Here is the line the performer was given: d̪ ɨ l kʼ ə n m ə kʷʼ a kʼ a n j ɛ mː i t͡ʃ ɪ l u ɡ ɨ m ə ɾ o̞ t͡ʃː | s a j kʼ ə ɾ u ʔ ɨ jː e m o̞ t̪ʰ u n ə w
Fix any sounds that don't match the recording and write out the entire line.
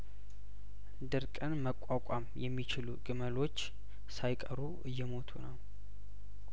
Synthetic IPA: d̪ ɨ ɾ kʼ ə n m ə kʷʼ a kʼ a m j ɛ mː i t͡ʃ ɪ l u ɡ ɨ m ə l o̞ t͡ʃː | s a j kʼ ə ɾ u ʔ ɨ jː ɛ m o̞ t̪ʰ u n ə w